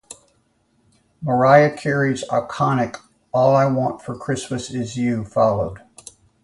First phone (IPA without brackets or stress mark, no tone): m